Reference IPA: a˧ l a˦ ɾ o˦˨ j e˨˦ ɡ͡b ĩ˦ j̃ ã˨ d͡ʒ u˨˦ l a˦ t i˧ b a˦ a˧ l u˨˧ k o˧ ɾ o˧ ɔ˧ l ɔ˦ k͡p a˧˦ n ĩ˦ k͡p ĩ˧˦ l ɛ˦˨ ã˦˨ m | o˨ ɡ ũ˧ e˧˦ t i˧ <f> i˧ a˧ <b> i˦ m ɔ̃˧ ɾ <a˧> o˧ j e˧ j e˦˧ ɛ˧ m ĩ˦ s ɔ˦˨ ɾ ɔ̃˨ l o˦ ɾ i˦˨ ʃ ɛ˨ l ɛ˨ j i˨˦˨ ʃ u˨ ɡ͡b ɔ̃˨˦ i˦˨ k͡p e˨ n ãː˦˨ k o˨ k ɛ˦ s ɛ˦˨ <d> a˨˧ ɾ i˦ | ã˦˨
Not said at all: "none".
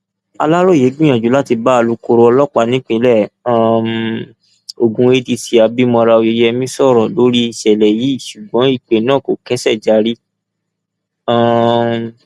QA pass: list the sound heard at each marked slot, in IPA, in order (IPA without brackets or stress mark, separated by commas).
s, b, a˧, d͡ʒ